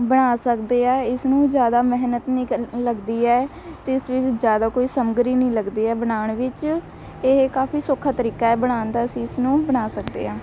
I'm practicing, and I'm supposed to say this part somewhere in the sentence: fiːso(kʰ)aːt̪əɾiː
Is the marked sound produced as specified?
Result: yes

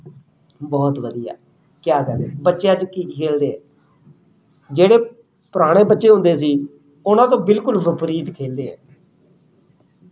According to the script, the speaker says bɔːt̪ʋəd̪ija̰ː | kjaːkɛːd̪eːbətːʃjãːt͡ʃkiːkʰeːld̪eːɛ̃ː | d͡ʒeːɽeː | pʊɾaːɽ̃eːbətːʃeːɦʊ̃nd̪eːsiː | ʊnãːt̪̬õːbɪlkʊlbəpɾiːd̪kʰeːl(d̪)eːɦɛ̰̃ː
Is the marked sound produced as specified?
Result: yes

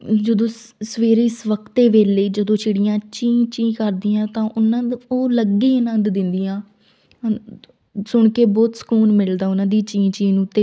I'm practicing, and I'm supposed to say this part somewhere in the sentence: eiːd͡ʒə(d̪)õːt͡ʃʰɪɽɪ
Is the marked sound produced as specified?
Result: yes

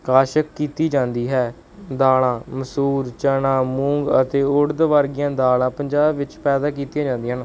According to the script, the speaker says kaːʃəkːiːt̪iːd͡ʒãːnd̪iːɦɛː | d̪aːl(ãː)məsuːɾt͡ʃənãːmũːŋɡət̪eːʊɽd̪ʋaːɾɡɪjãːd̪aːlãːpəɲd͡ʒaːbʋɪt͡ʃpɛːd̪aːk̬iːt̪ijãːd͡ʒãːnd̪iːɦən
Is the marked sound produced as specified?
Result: yes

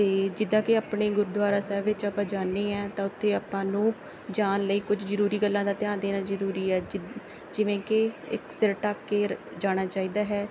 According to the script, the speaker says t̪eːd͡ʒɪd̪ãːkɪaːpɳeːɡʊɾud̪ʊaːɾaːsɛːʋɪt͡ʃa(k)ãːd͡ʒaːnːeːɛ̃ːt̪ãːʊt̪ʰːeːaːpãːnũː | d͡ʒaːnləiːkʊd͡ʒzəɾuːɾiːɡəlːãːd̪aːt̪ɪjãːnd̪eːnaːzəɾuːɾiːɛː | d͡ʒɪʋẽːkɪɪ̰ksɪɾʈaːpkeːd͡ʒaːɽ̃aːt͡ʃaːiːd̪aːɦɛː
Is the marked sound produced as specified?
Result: no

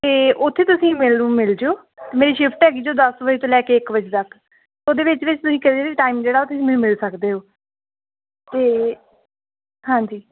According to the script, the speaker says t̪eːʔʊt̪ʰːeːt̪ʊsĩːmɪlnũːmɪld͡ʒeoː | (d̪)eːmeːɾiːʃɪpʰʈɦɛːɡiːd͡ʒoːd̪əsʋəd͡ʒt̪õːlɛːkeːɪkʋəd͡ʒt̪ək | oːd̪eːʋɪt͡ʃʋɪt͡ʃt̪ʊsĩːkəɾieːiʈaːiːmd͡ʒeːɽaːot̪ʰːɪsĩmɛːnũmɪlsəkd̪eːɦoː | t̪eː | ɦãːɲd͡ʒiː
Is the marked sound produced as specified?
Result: no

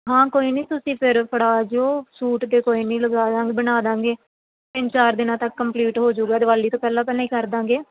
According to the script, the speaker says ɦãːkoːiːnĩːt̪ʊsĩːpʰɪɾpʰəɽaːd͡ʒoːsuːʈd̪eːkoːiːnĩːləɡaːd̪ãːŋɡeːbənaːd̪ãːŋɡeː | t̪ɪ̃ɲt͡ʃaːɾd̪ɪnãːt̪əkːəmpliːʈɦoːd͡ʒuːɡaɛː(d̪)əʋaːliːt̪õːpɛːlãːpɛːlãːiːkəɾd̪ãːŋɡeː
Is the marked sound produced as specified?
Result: yes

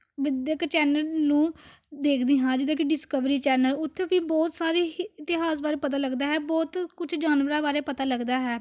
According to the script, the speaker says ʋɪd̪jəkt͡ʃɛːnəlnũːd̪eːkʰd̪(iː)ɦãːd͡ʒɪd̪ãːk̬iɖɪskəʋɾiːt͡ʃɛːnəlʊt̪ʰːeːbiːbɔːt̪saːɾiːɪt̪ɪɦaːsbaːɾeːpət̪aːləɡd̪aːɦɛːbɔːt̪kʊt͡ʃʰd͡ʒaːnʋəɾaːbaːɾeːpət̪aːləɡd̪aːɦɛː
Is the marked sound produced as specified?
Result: yes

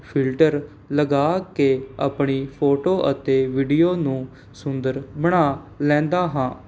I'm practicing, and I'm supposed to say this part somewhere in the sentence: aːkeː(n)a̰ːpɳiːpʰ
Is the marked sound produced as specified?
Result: no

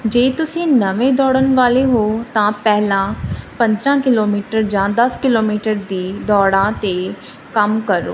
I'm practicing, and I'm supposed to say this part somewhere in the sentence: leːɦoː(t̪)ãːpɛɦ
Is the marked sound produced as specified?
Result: yes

